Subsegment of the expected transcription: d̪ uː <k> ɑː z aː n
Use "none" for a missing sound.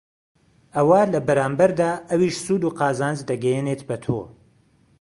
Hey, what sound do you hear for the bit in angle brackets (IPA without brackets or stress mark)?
q